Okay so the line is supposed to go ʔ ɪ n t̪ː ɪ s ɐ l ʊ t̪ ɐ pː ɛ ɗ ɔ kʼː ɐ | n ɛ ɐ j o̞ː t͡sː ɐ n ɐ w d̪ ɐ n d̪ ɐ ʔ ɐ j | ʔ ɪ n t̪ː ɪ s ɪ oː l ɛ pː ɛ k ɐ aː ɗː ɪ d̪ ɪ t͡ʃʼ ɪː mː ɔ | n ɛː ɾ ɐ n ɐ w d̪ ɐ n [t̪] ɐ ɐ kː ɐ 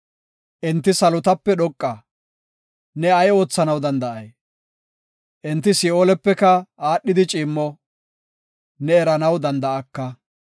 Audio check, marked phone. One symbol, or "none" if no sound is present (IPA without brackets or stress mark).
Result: d̪